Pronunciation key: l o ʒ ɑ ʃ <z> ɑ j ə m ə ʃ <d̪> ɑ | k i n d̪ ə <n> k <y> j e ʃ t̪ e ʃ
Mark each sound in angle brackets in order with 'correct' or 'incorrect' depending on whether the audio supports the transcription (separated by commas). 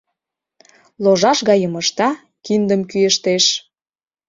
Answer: incorrect, incorrect, incorrect, correct